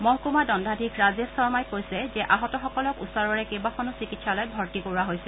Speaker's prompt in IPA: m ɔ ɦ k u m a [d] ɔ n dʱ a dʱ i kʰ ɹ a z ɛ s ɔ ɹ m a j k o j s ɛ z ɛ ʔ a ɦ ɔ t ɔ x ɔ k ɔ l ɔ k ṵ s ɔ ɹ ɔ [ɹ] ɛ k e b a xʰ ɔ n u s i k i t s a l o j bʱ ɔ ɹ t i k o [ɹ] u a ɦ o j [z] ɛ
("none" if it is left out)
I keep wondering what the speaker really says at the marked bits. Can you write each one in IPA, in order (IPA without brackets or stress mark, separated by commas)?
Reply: d, ɹ, ɹ, s